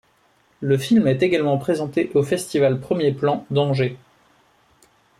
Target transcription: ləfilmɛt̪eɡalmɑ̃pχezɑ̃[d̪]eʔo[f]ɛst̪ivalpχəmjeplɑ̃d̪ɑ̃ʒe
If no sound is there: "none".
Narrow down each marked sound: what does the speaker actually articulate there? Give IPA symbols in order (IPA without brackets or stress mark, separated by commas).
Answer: t̪, f